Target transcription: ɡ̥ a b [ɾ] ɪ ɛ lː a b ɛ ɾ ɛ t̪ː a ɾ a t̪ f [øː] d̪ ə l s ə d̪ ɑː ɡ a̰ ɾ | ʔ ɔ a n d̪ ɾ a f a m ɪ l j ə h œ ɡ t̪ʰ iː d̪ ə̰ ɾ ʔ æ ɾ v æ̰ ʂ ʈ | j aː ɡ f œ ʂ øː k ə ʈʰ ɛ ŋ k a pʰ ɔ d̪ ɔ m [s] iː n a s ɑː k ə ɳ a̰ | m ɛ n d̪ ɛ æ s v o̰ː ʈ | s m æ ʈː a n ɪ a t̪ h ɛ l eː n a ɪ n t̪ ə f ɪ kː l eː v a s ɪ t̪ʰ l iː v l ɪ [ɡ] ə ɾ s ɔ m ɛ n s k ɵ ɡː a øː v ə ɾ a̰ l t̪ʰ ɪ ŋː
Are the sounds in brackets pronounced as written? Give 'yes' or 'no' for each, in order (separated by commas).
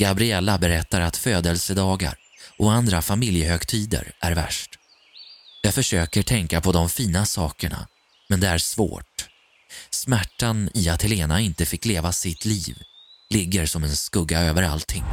yes, yes, no, no